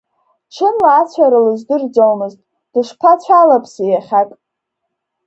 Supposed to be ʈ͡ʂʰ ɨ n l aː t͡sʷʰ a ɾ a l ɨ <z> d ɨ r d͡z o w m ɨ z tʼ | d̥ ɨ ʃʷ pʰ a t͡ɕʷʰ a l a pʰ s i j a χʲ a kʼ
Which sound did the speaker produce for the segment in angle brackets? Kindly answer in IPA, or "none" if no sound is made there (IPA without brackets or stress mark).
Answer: z